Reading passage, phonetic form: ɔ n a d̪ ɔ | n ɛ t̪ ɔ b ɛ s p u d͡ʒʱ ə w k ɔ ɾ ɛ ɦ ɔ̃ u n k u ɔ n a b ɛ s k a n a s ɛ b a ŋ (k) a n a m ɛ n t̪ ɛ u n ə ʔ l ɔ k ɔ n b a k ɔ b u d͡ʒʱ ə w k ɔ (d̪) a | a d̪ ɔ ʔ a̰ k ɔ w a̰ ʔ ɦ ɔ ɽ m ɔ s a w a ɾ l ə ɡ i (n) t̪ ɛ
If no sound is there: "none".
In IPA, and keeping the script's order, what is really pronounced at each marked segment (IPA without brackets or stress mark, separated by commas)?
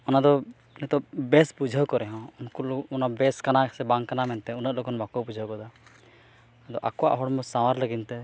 k, d̪, n